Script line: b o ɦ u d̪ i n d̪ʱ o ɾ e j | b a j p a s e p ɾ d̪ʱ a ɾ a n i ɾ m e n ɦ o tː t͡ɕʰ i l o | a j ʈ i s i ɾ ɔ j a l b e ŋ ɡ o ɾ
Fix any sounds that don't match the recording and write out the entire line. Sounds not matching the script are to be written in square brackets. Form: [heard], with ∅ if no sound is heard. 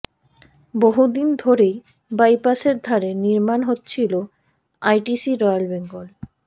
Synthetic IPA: b o ɦ u d̪ i n d̪ʱ o ɾ e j | b a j p a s e [∅] ɾ d̪ʱ a ɾ [e] n i ɾ m [a] n ɦ o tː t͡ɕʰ i l o | a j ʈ i s i ɾ ɔ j a l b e ŋ ɡ o [l]